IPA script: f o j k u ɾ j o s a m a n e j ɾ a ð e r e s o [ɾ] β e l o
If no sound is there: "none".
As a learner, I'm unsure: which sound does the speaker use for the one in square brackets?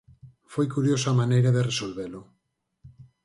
l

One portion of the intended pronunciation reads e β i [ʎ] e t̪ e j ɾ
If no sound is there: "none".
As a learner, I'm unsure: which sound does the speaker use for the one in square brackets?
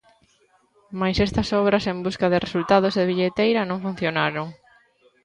ʎ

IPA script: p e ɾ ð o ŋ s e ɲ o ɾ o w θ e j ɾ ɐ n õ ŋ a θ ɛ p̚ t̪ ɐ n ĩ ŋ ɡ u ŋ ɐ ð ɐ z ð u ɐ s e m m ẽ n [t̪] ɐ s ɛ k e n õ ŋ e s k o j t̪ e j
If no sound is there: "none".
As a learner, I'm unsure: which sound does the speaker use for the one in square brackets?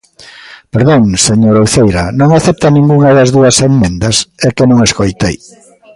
d̪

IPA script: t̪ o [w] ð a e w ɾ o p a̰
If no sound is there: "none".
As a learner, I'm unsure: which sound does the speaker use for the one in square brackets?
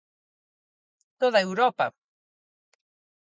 none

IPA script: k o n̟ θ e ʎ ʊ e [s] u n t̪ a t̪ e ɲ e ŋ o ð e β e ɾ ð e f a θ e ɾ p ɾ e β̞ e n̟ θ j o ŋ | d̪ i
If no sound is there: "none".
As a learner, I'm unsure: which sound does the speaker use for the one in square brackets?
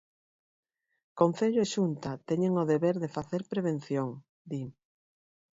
ʃ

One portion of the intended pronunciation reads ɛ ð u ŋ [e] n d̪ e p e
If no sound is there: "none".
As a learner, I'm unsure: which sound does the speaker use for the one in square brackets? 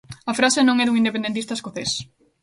i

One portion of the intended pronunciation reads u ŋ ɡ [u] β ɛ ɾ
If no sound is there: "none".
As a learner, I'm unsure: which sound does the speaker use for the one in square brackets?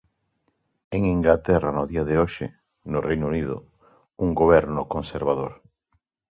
o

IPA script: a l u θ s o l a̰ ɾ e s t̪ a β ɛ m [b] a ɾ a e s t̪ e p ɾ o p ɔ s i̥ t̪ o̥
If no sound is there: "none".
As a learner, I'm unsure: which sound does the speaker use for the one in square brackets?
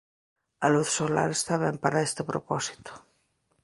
p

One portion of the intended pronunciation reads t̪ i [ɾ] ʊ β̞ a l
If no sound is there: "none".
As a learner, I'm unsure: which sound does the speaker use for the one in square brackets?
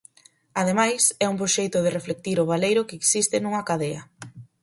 ɾ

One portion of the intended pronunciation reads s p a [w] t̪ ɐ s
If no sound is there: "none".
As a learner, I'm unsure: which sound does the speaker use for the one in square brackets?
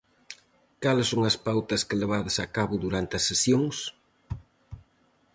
w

